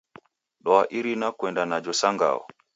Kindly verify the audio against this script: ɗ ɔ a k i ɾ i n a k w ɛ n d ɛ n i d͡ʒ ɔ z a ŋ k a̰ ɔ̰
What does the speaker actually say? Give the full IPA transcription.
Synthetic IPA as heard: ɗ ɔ a ʔ i ɾ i n a k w ɛ n d a n a d͡ʒ ɔ s a ŋ ɡ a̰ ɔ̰